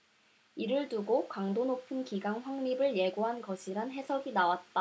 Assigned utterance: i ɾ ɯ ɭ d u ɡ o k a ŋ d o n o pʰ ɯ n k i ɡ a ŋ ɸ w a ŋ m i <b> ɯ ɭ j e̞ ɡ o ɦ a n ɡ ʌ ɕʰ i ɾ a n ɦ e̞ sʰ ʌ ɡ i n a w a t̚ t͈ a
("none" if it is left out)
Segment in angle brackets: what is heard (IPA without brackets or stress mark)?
b